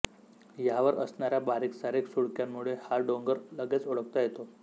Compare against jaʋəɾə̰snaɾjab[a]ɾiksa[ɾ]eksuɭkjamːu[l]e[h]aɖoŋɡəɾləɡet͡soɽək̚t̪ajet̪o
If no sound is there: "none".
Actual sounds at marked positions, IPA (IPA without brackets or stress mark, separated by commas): a, ɾ, ɭ, h